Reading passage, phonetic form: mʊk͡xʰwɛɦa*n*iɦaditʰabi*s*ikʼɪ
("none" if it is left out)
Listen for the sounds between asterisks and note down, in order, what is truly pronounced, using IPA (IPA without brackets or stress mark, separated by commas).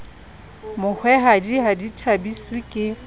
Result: d, s